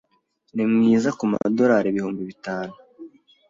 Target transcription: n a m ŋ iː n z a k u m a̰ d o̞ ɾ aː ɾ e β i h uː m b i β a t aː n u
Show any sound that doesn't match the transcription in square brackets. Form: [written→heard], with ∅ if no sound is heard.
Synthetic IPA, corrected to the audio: n [a→i] m ŋ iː [n→∅] z a k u m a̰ d o̞ ɾ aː ɾ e β i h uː m b i β [a→i] t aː n u